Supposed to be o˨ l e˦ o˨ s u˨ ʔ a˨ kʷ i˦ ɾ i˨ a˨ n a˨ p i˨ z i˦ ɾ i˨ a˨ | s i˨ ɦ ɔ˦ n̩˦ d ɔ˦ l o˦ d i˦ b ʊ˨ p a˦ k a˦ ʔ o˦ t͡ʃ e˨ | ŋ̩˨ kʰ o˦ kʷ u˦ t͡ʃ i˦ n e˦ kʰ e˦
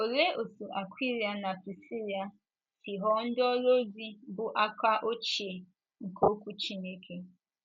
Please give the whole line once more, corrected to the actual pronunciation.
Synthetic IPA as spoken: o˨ l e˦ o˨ s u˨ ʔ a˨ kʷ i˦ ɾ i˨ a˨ n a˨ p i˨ s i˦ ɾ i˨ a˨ | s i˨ ɦ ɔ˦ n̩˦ d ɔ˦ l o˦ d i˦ b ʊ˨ ʔ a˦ k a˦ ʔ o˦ t͡ʃ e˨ | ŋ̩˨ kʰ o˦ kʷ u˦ t͡ʃ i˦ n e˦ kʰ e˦